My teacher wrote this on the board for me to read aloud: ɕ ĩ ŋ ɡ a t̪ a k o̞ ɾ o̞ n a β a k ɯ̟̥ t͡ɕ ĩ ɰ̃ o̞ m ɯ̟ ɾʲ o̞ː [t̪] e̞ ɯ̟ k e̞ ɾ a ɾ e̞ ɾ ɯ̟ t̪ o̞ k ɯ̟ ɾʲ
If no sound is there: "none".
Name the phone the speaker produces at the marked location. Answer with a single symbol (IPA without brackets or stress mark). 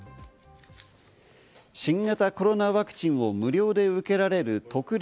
d̪